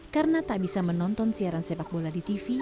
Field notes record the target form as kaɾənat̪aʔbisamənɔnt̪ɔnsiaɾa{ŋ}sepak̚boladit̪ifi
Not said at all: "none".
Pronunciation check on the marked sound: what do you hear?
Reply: n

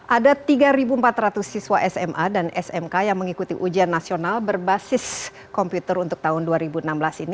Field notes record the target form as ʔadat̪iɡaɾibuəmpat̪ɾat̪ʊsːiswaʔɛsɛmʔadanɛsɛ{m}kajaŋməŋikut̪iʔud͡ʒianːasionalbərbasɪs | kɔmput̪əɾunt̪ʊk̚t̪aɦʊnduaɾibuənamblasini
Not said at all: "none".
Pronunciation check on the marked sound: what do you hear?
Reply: m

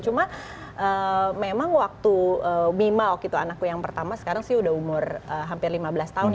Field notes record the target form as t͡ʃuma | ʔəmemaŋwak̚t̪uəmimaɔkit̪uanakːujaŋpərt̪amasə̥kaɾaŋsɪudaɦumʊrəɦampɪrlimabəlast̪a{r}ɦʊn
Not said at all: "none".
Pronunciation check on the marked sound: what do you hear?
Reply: none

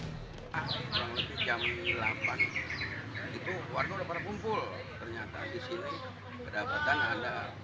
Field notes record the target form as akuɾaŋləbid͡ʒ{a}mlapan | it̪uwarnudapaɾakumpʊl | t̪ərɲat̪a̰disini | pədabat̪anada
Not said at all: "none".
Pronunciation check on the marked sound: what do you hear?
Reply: a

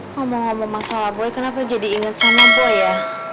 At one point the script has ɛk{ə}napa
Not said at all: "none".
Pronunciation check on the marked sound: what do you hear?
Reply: ə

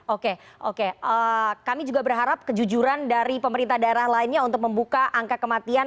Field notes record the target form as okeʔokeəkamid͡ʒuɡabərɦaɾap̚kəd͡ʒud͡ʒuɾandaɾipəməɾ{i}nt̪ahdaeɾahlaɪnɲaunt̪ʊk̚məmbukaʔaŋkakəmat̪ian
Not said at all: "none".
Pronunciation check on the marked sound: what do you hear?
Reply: i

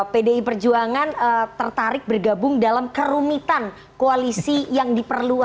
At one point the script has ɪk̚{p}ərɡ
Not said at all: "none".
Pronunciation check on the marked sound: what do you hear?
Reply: b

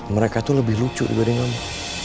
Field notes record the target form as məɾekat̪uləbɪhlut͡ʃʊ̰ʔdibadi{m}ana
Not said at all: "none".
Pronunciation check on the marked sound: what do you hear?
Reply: ŋ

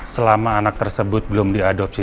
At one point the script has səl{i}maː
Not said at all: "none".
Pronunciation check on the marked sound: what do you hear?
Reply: a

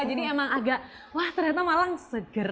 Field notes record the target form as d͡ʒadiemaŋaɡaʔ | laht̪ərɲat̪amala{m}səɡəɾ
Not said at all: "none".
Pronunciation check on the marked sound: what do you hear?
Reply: ŋ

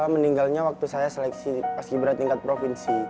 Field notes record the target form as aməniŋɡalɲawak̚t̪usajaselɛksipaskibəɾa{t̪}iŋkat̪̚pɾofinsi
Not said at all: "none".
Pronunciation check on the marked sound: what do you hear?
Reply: t̪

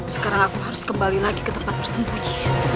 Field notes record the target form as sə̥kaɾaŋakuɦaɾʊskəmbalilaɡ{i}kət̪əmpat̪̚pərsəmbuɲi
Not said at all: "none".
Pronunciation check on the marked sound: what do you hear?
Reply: i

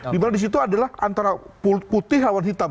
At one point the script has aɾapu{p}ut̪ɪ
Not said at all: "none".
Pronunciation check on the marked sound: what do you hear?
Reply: p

